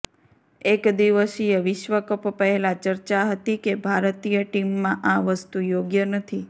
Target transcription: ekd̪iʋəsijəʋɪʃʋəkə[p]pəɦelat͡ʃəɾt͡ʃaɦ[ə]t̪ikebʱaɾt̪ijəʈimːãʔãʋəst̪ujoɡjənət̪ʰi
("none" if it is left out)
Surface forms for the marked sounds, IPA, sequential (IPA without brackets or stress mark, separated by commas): p, ə